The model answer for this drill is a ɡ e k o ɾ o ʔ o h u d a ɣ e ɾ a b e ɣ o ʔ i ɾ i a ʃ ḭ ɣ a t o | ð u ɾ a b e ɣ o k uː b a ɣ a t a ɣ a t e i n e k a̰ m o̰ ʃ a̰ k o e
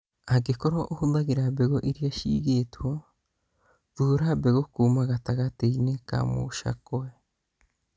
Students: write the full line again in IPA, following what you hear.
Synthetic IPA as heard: a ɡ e k o ɾ o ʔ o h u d a ɣ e ɾ a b e ɣ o ʔ i ɾ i a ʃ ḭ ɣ e t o | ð u ɾ a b e ɣ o k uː m a ɣ a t a ɣ a t e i n e k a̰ m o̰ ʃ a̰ k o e